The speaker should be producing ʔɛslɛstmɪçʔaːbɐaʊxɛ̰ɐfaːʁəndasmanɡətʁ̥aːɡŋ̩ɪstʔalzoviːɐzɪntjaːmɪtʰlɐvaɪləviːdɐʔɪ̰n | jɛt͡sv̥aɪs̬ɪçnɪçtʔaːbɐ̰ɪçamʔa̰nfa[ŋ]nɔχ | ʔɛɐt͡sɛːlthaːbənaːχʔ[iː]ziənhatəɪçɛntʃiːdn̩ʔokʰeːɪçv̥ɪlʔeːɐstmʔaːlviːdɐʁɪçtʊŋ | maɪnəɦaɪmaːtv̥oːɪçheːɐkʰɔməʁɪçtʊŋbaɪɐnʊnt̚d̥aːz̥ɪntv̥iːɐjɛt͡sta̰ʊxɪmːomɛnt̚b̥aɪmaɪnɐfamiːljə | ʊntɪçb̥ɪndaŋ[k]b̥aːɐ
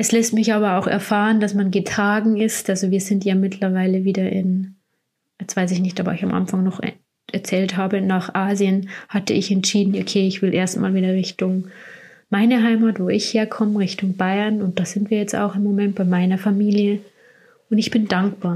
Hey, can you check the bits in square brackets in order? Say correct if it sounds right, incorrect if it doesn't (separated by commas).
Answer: correct, incorrect, correct